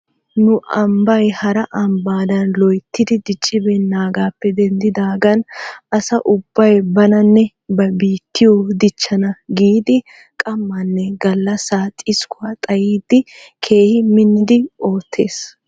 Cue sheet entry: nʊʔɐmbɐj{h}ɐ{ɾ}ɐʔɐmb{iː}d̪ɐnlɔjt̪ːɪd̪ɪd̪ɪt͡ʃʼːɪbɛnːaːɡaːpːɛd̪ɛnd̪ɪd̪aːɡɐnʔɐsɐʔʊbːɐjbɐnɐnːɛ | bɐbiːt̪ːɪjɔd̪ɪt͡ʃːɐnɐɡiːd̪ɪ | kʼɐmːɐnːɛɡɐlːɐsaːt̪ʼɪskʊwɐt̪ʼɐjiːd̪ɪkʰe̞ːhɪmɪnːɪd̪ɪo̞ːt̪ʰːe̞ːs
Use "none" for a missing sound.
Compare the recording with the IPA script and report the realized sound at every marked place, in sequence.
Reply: h, ɾ, aː

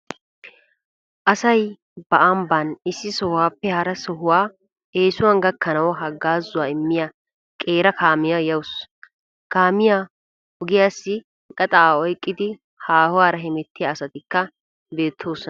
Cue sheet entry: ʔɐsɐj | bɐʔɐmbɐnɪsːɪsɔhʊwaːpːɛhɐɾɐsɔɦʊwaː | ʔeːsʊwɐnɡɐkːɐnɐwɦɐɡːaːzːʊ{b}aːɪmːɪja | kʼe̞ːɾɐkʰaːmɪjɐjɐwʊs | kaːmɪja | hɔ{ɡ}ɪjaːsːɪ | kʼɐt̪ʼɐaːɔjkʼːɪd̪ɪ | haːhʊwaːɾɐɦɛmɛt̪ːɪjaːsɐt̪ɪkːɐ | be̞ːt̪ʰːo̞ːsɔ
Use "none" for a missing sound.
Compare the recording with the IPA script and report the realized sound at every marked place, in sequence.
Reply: w, ɡ

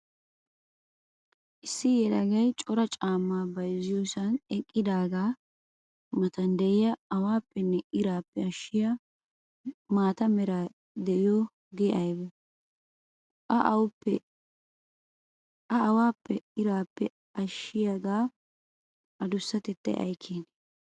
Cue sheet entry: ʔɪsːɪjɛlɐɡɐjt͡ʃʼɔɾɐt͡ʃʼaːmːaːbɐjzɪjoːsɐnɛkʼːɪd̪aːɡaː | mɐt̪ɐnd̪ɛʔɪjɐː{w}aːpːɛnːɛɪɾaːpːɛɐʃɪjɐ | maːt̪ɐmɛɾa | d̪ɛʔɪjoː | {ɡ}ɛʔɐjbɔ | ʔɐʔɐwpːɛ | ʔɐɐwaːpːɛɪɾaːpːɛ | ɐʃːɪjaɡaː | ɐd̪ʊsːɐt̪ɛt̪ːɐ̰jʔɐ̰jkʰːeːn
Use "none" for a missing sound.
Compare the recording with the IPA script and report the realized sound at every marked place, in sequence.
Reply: w, ɡ

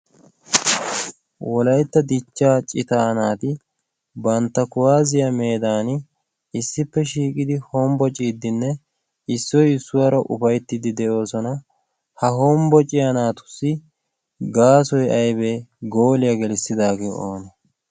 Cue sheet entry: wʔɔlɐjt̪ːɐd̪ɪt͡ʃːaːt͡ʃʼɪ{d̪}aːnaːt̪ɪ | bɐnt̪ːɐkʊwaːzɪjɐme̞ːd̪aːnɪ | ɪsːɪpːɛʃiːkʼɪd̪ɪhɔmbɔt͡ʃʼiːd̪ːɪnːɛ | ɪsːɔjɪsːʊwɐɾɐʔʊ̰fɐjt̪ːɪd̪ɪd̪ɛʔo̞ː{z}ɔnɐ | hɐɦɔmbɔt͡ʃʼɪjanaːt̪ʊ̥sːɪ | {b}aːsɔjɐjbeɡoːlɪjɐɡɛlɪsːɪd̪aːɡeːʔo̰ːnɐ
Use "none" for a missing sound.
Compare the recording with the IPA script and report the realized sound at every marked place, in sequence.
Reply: t̪, s, ɡ

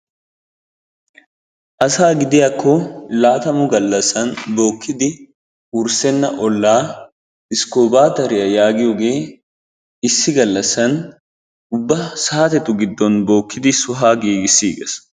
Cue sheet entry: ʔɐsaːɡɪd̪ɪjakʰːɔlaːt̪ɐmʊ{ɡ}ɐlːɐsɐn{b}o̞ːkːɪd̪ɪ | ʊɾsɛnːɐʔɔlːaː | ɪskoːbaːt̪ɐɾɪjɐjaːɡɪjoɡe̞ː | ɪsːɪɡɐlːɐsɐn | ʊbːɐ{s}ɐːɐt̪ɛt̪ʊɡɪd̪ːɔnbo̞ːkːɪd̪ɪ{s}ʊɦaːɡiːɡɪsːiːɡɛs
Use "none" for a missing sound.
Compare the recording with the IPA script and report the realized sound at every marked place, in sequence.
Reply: ɡ, b, s, s

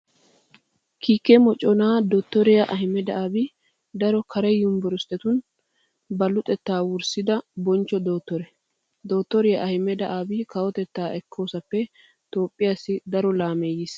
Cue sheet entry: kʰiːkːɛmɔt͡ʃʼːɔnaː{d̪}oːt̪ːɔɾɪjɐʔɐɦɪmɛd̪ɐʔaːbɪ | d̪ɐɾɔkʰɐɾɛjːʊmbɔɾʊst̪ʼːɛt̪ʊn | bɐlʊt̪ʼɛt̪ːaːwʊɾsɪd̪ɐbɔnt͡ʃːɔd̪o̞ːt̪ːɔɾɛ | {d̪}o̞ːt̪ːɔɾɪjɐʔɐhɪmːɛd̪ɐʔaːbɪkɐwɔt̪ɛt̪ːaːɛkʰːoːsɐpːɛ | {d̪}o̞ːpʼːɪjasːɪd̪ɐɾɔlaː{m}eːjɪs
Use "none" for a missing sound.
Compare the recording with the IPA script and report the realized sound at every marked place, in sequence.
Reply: d̪, d̪, t̪, m

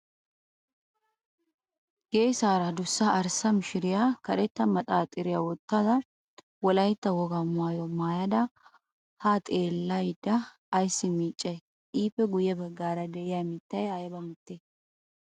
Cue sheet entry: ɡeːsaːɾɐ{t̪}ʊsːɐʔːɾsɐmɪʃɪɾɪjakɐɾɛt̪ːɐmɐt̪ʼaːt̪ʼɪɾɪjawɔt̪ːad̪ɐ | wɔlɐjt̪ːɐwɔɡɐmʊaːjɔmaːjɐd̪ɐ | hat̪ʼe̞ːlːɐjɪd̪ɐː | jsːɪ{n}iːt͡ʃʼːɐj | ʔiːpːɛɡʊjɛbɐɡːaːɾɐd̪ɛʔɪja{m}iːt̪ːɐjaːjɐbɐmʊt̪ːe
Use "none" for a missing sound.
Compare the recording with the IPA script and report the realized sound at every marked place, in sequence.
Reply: d̪, m, m

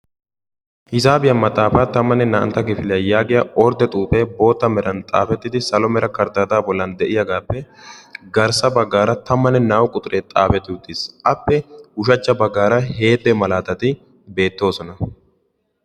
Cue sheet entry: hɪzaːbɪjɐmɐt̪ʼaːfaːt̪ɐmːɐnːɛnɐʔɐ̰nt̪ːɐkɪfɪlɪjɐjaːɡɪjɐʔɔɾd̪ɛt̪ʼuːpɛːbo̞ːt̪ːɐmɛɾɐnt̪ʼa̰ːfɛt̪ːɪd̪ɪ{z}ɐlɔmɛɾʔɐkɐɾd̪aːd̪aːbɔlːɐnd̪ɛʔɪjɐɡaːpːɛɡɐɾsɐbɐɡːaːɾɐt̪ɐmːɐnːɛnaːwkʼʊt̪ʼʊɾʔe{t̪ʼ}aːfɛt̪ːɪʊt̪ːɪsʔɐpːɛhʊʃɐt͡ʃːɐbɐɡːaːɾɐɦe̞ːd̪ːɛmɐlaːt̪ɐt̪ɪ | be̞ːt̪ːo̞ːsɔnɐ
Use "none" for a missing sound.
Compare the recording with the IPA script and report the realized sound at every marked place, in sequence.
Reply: s, t̪ʼ

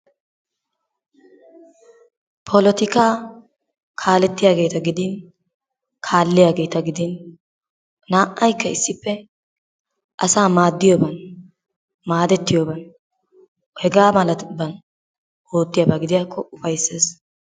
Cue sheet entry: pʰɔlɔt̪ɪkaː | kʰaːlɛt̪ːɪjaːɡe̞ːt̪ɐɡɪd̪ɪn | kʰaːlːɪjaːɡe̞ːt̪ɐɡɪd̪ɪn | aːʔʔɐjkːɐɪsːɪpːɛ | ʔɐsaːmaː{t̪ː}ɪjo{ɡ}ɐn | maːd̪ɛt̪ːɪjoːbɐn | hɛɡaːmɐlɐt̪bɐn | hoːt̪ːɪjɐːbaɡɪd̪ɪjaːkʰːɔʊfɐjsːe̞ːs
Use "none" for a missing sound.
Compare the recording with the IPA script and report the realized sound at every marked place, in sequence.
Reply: d̪ː, b

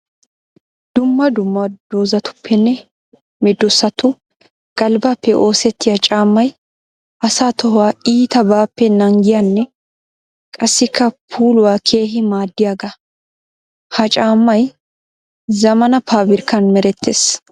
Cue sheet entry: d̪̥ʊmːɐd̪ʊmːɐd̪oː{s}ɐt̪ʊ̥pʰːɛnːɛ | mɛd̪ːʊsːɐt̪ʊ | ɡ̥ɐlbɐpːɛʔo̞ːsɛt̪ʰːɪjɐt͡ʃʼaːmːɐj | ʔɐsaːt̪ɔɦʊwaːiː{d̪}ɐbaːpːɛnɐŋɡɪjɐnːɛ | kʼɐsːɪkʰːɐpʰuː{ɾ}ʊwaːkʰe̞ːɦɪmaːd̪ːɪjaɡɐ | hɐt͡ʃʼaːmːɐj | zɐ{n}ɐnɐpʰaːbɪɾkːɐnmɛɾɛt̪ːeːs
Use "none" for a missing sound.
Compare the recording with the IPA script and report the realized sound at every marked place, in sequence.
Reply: z, t̪, l, m

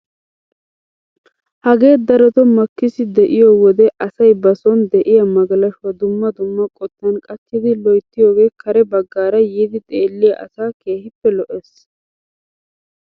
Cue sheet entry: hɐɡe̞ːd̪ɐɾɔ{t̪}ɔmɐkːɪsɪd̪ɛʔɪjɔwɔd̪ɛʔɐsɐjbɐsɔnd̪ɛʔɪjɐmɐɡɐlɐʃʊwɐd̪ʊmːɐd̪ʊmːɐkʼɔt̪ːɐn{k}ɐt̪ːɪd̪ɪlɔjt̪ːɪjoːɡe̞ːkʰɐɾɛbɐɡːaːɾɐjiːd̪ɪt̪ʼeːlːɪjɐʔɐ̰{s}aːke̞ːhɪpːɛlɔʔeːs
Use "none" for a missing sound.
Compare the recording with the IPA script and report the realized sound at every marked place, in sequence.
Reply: t̪, kʼ, s

